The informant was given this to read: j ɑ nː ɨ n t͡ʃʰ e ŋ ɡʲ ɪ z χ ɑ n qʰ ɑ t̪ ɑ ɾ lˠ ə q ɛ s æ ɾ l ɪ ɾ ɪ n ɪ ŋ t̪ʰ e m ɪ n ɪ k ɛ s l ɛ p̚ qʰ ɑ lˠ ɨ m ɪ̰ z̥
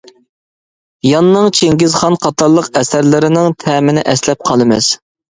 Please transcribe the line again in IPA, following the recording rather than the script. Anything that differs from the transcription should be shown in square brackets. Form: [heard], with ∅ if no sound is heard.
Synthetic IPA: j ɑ nː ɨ [ŋ] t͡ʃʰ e ŋ ɡʲ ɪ z χ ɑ n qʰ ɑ t̪ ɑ ɾ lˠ ə q ɛ s æ ɾ l ɪ ɾ ɪ n ɪ ŋ t̪ʰ [ɛ] m ɪ n ɪ [ʔ] ɛ s l ɛ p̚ qʰ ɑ lˠ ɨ m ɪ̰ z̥